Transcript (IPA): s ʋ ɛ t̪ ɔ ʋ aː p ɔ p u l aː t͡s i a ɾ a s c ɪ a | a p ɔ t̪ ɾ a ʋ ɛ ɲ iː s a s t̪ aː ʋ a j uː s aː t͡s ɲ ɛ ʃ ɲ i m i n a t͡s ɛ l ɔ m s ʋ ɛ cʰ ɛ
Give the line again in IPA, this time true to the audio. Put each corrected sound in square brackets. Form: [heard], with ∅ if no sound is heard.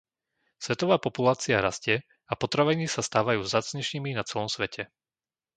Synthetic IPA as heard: s ʋ ɛ t̪ ɔ ʋ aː p ɔ p u l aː t͡s i a ɾ a s c ɪ [ɛ] | a p ɔ t̪ ɾ a ʋ ɛ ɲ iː s a s t̪ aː ʋ a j uː [z] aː t͡s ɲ ɛ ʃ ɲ i m i n a t͡s ɛ l ɔ m s ʋ ɛ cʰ ɛ